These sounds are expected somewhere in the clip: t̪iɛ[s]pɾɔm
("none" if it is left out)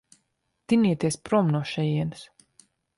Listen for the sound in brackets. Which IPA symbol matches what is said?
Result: s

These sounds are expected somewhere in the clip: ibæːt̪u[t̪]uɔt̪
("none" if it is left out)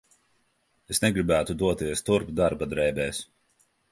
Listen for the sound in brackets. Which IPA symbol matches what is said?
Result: d̪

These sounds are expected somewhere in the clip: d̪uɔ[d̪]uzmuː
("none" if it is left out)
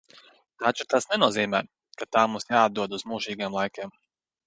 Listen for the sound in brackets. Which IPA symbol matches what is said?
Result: d̪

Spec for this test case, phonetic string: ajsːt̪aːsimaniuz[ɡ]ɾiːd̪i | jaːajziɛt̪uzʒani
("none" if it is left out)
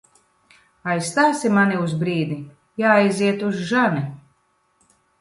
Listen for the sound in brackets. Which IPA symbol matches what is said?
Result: b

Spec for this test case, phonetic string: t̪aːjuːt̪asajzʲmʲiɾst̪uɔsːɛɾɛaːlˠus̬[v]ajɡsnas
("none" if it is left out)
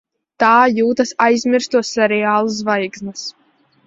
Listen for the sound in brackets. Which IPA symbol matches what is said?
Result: v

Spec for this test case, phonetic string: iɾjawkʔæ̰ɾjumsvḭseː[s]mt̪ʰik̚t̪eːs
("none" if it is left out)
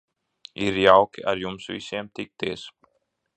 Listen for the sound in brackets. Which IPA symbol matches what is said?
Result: none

